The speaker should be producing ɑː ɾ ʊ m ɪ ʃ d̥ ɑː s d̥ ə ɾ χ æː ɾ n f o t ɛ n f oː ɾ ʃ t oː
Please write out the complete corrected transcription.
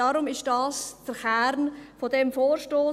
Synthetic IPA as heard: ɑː ɾ ʊ m ɪ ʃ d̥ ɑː s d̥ ə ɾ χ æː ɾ n f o d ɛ m f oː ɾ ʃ t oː